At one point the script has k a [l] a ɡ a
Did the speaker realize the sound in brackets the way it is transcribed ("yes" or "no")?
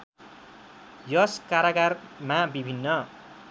no